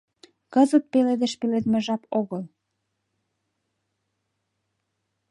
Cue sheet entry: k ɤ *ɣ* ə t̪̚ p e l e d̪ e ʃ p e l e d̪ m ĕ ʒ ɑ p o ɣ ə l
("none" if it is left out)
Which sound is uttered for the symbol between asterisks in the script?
z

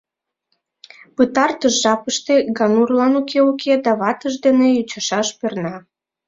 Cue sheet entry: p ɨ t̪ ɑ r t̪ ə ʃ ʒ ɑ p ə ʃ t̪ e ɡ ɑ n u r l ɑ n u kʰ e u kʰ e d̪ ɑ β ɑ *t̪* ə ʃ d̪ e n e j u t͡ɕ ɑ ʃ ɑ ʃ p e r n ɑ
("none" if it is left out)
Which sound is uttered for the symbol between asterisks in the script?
t̪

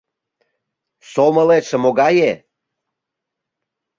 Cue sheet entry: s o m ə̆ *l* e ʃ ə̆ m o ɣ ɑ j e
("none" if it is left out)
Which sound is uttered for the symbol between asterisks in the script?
l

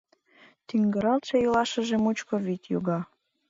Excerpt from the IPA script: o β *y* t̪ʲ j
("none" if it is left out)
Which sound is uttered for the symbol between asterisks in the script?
i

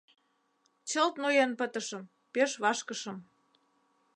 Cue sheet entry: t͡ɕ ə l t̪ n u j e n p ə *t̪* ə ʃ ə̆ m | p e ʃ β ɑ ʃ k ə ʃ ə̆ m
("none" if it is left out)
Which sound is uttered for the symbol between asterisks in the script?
t̪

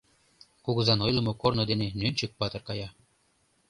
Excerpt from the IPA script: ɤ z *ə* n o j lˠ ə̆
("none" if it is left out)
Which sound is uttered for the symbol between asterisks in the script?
ɑ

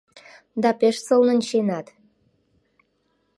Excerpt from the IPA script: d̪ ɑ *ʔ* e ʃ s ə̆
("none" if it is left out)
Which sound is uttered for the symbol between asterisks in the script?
p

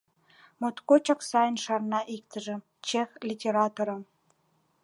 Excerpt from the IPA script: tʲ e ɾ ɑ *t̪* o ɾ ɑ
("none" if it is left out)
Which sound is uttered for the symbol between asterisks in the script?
t̪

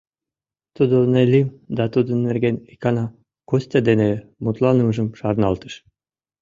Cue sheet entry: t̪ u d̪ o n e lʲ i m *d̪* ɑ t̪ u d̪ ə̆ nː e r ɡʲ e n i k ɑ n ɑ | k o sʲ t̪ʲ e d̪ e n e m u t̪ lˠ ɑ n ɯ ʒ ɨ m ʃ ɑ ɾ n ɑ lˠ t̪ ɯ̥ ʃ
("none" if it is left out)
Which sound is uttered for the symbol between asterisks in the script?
d̪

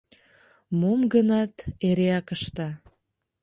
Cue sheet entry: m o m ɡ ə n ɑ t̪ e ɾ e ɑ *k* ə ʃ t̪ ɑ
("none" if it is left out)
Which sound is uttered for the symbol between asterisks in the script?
k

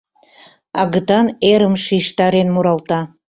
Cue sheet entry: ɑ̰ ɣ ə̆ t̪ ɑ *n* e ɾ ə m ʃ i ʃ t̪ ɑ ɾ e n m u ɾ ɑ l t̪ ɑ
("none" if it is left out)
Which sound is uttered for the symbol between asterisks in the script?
n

